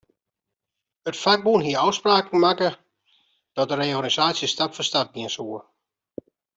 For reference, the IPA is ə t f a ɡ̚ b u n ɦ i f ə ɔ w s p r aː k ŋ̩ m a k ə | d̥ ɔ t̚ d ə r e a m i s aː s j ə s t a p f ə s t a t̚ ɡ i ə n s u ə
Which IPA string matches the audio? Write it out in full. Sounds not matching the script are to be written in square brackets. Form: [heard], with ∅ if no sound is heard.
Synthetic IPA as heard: ə t f a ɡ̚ b u n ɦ i [∅] ə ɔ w s p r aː k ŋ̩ m a k ə | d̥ ɔ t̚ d ə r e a [n] i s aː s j ə s t a p f ə s t a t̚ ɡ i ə n s u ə